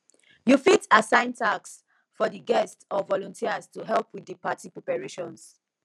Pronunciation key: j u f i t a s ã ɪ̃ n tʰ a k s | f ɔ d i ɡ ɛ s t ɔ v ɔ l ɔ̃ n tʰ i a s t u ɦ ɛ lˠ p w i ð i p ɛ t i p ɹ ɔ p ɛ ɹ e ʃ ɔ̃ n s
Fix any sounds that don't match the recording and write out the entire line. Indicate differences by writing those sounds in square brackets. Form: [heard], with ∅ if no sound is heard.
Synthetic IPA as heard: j u f i t a s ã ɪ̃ n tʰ a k s | f ɔ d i ɡ ɛ s t ɔ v ɔ l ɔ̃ n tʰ i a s t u ɦ ɛ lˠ p w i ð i p [a] t i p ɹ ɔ p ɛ ɹ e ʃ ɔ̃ n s